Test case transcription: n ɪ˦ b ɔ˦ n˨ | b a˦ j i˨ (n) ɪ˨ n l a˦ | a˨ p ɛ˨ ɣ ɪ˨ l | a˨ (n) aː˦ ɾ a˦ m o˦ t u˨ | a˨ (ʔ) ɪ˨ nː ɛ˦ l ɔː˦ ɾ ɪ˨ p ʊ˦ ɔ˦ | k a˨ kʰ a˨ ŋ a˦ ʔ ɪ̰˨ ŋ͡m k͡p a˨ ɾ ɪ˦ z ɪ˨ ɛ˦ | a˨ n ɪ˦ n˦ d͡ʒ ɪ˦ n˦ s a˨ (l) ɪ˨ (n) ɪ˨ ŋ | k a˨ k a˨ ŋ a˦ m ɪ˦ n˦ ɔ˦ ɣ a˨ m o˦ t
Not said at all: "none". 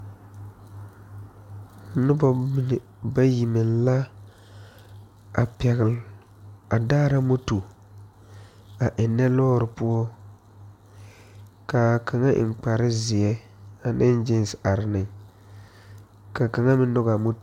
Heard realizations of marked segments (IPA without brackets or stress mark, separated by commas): m, d, ʔ, ɾ, n